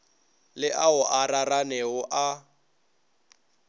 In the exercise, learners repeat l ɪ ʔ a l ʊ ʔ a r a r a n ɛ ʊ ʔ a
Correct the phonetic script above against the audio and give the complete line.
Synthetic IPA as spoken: l ɪ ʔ a ʊ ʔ a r a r a n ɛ ʊ ʔ a